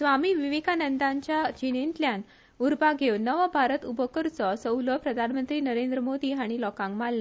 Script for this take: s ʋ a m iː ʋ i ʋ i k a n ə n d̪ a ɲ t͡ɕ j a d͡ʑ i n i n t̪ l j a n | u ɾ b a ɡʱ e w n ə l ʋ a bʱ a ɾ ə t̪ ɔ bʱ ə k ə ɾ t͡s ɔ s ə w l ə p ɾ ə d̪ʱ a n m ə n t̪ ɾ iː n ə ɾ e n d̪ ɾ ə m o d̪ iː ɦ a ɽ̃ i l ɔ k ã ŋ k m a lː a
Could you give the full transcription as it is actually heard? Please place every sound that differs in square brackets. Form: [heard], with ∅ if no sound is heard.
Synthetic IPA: s ʋ a m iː ʋ i ʋ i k a n ə n d̪ a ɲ t͡ɕ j a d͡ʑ i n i n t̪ l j a n | u ɾ b a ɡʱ e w n ə [∅] ʋ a bʱ a ɾ ə t̪ [u] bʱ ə k ə ɾ t͡s ɔ s ə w l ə p ɾ ə d̪ʱ a n m ə n t̪ ɾ iː n ə ɾ e n d̪ ɾ ə m o d̪ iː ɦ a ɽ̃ i l ɔ k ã ŋ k m a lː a

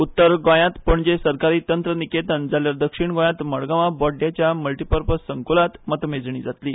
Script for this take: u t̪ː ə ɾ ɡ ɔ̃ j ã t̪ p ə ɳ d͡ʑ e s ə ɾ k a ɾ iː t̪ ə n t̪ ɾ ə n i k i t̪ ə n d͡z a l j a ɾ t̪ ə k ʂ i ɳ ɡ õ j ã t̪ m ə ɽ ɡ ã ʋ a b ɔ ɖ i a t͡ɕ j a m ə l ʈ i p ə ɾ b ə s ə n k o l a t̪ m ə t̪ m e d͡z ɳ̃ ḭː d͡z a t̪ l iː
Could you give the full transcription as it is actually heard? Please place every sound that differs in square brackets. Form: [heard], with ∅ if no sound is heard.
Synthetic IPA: u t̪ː ə ɾ ɡ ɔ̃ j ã t̪ p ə ɳ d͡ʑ e s ə ɾ k a ɾ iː t̪ ə n t̪ ɾ ə n i k [e] t̪ ə n d͡z a l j a ɾ [d̪] ə k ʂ i ɳ ɡ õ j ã t̪ m ə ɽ ɡ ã ʋ a b ɔ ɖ [j] a t͡ɕ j a m ə l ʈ i p ə ɾ [p] ə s ə [ŋ] k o l a t̪ m ə t̪ m e d͡z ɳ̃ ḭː d͡z a t̪ l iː

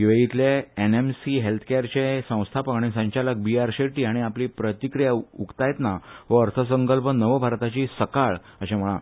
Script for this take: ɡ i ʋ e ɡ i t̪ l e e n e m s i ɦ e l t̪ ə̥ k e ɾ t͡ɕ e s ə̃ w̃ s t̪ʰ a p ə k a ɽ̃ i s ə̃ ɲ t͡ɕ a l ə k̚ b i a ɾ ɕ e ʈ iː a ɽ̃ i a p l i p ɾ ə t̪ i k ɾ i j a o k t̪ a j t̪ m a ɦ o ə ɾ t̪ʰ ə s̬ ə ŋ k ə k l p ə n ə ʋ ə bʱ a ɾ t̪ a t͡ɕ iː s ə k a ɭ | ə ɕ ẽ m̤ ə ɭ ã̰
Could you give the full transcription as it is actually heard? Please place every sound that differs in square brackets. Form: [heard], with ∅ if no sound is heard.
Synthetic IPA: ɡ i ʋ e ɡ i t̪ l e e n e m s i ɦ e l [t̪ʰ] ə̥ k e ɾ t͡ɕ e s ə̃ w̃ s t̪ʰ a p ə k a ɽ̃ i s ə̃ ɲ t͡ɕ a l ə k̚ b i a ɾ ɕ e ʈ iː a ɽ̃ i a p l i p ɾ ə t̪ i k ɾ i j a [u] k t̪ a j t̪ [n] a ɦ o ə ɾ t̪ʰ ə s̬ ə ŋ k ə [∅] l p ə n ə ʋ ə bʱ a ɾ t̪ a t͡ɕ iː s ə k a ɭ | ə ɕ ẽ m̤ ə ɭ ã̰

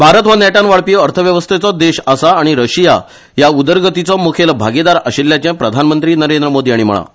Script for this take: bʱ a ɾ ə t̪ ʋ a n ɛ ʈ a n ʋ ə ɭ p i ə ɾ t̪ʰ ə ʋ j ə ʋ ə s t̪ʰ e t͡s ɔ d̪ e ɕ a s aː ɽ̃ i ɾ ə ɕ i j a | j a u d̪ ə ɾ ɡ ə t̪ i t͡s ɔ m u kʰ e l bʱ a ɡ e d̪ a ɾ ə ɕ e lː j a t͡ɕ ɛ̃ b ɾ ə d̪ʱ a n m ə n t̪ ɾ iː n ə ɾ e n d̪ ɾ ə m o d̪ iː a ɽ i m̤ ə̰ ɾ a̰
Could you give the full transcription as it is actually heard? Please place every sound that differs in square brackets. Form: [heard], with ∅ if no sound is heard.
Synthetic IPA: bʱ a ɾ ə t̪ ʋ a n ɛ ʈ a n ʋ [a] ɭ p i ə ɾ t̪ʰ ə ʋ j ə ʋ ə s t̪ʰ e t͡s ɔ d̪ e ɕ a s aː ɽ̃ i ɾ ə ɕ i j a | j a u d̪ ə ɾ ɡ ə t̪ i t͡s ɔ m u kʰ e l bʱ a ɡ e d̪ a ɾ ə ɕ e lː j a t͡ɕ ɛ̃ [p] ɾ ə d̪ʱ a n m ə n t̪ ɾ iː n ə ɾ e n d̪ ɾ ə m o d̪ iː a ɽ i m̤ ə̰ [ɭ] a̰

